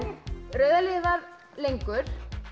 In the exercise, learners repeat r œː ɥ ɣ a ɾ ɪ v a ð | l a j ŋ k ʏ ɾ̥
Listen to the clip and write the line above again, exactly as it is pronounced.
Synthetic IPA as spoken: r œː ɥ ð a l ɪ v a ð | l e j ŋ k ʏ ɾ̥